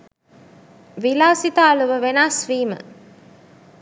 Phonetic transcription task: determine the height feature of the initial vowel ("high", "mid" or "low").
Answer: high